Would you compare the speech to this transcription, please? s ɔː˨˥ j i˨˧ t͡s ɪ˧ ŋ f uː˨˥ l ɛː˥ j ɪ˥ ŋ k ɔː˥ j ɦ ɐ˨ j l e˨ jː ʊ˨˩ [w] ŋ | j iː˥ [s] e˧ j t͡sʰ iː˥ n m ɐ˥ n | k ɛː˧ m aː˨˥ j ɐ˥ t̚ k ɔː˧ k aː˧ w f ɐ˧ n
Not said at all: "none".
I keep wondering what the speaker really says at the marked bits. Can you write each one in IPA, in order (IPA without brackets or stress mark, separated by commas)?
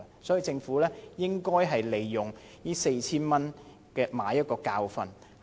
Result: none, s